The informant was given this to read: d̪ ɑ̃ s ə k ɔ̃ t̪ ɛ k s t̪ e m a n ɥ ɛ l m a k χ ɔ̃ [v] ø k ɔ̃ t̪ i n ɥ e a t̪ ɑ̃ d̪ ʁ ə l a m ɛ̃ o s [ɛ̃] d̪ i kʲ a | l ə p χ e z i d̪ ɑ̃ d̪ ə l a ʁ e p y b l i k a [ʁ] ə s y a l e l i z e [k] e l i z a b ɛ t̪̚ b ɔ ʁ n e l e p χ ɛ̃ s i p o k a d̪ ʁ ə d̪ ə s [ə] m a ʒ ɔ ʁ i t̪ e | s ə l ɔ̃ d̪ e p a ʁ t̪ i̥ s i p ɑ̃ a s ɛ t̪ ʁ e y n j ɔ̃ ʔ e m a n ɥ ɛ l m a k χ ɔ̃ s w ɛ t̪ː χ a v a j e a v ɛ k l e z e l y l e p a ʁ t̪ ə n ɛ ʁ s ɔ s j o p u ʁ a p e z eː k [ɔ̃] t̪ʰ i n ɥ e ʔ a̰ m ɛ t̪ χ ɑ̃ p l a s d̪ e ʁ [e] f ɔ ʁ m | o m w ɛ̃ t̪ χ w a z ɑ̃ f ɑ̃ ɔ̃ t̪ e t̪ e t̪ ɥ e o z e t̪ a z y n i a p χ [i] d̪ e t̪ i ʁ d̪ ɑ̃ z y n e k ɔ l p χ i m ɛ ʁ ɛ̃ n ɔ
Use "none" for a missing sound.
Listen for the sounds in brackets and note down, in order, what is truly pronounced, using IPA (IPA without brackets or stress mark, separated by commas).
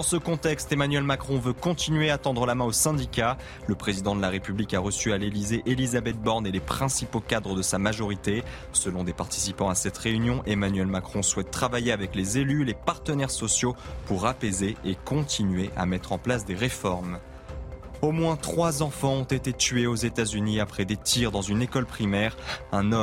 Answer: v, ɛ̃, ʁ, ʔ, a, ɔ̃, e, ɛ